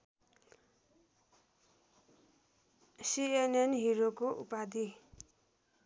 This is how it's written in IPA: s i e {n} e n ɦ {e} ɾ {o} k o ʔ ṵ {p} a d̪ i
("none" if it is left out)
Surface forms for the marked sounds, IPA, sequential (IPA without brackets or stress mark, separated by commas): n, i, o, p